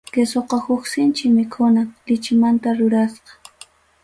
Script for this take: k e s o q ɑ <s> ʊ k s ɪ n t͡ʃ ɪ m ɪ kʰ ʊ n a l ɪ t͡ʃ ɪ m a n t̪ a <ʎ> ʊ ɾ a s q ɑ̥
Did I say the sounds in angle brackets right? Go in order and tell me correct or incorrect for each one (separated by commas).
incorrect, incorrect